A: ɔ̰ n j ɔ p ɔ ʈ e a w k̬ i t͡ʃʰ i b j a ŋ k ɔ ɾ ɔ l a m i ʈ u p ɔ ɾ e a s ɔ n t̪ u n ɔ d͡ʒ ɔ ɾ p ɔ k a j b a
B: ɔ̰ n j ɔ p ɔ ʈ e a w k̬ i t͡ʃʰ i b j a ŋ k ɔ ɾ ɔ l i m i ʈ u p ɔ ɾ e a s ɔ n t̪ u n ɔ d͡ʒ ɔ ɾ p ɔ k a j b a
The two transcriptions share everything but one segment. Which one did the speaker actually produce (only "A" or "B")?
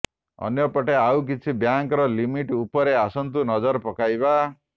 B